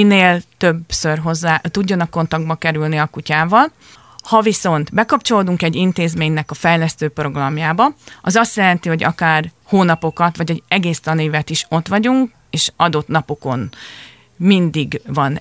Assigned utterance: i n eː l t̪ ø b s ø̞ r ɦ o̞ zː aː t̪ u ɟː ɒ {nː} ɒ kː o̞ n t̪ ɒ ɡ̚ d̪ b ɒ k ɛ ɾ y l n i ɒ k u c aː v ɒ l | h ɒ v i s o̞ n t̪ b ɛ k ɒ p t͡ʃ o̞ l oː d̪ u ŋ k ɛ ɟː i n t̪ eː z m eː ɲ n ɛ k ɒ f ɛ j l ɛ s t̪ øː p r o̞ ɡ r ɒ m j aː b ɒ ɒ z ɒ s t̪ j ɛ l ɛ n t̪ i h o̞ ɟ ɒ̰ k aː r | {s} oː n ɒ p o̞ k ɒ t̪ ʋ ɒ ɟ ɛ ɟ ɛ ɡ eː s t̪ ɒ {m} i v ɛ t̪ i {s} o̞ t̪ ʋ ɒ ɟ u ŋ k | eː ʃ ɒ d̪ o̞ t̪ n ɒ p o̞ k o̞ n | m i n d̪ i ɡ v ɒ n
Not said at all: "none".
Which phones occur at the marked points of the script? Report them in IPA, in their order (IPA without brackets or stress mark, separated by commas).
n, h, n, ʃ